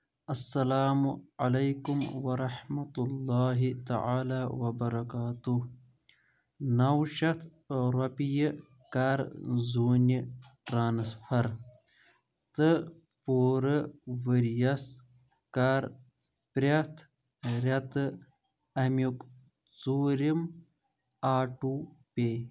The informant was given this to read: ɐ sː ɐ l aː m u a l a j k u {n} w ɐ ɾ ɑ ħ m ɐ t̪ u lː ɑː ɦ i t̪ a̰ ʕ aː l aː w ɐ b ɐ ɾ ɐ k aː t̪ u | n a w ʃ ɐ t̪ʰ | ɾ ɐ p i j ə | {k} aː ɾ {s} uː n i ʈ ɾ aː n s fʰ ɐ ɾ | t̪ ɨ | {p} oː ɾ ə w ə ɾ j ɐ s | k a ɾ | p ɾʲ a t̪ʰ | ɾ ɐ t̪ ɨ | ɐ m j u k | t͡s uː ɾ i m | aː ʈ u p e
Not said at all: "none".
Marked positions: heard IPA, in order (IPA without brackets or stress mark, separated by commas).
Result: m, k, z, p